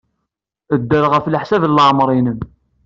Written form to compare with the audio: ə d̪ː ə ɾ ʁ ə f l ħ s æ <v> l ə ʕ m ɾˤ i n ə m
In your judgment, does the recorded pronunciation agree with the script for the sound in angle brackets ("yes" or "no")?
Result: yes